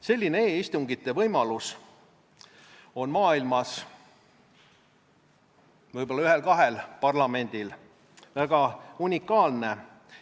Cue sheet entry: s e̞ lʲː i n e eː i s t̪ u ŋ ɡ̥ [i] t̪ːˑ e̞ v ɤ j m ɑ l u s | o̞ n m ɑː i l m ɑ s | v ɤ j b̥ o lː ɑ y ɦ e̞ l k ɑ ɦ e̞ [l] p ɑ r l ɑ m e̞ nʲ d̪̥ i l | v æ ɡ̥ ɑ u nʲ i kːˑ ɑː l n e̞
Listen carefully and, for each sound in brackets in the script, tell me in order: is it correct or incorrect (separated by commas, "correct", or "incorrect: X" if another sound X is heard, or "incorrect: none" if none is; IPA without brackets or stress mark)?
correct, correct